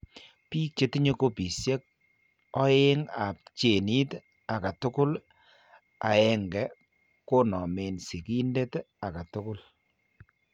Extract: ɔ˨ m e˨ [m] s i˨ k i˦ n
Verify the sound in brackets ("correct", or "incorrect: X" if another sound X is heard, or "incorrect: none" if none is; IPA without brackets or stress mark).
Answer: incorrect: n